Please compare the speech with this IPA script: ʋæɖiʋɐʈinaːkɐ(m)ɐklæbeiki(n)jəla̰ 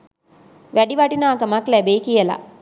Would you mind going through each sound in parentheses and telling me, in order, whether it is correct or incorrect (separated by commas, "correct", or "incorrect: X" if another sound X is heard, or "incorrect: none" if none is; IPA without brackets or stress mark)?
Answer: correct, incorrect: none